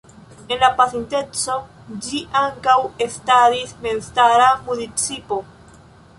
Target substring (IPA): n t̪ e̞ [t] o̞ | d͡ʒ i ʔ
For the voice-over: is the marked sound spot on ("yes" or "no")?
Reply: no